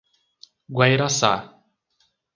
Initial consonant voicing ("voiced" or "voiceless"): voiced